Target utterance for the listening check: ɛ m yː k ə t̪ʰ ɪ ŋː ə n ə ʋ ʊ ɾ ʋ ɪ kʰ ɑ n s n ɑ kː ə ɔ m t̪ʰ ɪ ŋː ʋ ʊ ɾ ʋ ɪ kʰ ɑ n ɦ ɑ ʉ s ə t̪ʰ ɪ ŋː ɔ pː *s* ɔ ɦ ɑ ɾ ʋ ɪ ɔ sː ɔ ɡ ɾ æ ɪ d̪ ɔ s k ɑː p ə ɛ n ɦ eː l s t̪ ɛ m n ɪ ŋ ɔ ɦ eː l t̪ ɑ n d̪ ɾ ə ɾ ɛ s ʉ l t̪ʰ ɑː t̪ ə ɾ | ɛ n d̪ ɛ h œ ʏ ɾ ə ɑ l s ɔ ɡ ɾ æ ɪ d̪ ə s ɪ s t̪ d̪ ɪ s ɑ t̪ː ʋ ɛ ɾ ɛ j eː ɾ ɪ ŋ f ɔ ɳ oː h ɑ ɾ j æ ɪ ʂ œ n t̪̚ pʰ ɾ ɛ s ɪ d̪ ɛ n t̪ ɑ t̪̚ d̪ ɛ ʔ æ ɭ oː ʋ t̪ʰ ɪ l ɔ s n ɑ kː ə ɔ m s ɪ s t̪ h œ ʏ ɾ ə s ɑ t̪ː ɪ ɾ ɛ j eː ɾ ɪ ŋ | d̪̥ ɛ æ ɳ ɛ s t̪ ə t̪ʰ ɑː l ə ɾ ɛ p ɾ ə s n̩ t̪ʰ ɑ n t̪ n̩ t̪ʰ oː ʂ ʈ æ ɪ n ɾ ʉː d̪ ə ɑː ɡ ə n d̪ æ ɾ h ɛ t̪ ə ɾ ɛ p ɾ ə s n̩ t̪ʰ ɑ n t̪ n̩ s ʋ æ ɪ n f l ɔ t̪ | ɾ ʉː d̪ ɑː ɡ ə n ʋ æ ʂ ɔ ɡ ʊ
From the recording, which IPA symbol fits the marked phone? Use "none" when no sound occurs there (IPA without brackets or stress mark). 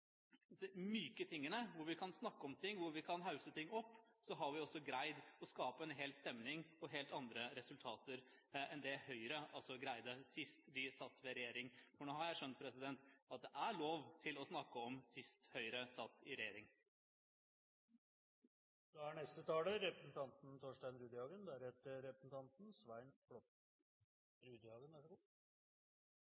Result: s